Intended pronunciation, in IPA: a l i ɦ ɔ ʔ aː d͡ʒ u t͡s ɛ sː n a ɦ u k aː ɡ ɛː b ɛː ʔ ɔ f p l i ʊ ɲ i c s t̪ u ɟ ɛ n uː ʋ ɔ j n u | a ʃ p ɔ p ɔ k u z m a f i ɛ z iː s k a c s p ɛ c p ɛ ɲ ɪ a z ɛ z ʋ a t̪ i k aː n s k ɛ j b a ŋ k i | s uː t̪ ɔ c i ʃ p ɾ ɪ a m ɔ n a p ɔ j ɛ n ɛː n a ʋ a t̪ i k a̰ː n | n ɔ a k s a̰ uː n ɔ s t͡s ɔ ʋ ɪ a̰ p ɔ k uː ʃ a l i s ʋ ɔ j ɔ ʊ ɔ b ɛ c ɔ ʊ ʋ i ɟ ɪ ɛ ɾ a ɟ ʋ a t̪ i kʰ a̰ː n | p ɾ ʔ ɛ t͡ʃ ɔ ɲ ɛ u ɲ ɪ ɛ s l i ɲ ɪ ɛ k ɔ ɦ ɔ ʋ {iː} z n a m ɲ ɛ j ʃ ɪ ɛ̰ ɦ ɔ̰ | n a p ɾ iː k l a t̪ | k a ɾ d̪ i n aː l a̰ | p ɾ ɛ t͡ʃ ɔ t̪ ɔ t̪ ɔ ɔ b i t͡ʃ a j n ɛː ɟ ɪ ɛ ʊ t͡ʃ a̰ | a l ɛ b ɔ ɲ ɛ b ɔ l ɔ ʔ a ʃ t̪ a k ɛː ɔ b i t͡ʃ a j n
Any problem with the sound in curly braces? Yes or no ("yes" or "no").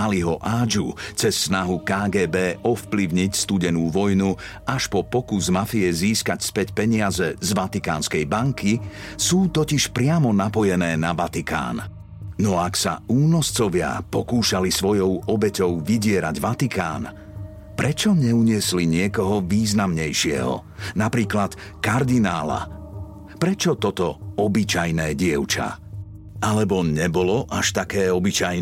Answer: no